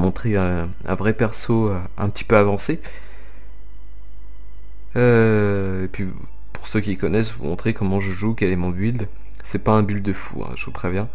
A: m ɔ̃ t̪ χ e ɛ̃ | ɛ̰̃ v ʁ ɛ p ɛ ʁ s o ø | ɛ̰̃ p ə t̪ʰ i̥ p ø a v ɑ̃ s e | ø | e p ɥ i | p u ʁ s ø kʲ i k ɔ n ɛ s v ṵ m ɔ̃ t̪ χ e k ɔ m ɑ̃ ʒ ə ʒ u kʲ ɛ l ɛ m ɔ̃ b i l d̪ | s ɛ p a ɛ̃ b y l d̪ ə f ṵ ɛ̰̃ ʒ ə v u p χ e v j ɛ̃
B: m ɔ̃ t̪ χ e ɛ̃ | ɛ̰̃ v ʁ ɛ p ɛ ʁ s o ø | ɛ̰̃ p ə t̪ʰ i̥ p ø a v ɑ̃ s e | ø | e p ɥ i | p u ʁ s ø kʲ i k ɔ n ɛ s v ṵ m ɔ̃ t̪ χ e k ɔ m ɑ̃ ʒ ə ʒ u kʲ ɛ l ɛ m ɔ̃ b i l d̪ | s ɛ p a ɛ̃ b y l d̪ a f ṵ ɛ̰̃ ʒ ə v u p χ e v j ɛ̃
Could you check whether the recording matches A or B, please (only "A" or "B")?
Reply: A